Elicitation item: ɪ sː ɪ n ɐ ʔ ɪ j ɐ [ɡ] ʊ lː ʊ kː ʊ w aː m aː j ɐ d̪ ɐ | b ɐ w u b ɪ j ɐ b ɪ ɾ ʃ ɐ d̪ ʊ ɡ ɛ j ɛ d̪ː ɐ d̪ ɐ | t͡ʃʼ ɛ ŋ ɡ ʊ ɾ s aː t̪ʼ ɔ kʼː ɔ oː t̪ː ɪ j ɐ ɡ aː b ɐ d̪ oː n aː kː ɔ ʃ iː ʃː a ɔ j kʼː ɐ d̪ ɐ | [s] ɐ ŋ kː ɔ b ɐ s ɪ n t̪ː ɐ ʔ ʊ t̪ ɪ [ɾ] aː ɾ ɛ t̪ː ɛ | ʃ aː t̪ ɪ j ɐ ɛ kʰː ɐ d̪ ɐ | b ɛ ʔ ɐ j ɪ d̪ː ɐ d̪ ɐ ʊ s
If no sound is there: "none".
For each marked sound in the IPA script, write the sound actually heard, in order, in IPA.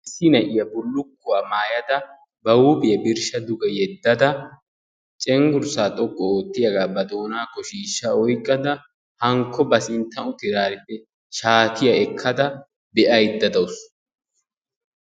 b, h, ɾ

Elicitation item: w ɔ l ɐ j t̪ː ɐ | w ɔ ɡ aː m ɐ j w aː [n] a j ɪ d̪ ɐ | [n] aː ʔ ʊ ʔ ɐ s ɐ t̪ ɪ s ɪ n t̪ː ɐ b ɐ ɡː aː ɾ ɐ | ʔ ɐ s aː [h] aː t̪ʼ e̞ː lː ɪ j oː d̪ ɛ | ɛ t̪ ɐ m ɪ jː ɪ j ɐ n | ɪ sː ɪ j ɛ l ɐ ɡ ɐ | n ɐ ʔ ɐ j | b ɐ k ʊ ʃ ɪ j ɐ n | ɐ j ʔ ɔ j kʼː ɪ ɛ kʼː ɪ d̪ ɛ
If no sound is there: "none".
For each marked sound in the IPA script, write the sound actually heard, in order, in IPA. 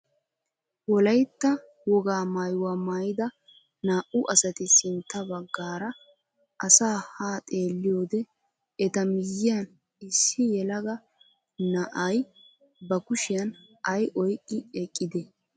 m, n, h

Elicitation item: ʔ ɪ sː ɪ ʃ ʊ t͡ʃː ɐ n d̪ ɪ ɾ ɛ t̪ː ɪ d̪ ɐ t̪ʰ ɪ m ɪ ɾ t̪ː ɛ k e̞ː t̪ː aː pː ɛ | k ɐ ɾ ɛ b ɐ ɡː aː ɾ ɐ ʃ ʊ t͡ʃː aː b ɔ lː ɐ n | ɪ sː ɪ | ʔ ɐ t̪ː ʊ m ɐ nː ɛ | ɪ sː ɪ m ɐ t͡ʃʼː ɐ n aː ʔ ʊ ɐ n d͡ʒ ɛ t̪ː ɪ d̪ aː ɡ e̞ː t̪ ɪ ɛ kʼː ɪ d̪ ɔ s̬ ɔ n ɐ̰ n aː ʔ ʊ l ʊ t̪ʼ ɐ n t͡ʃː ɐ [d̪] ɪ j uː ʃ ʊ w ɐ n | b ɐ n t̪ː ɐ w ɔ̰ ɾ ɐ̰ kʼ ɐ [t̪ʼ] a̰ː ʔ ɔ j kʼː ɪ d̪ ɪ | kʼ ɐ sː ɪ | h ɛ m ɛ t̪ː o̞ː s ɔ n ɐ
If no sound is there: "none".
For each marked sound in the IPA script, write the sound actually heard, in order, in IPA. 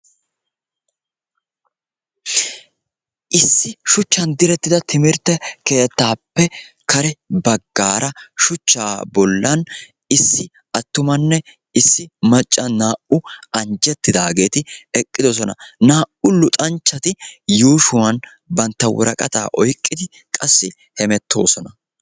t̪, t̪

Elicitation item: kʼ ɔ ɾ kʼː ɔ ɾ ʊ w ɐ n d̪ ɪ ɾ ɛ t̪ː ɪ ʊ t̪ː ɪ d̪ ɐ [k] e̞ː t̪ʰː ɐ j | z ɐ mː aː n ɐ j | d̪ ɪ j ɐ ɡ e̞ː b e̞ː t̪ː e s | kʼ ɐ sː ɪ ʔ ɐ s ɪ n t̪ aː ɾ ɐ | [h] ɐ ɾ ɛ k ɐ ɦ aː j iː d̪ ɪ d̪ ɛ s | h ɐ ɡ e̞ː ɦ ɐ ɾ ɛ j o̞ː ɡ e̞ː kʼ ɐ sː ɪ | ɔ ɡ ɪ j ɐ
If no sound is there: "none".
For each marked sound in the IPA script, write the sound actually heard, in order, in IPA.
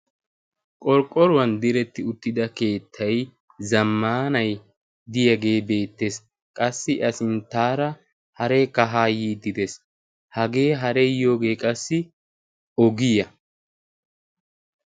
k, h

